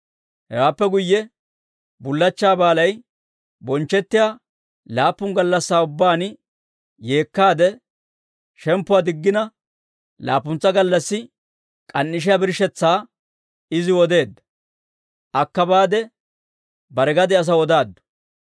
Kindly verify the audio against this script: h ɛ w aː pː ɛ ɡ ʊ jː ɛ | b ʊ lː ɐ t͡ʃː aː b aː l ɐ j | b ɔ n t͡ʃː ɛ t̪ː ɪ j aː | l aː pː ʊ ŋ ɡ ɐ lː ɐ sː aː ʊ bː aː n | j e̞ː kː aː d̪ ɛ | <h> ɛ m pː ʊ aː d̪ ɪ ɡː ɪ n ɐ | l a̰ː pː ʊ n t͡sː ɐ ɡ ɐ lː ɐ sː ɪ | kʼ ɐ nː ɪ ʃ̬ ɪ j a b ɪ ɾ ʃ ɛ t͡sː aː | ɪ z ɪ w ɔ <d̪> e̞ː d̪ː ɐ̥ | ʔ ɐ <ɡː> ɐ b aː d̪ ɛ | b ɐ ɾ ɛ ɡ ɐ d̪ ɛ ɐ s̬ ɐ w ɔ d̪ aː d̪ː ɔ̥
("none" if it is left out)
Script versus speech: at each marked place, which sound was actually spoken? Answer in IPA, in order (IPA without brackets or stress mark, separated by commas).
ʃ, d̪, kː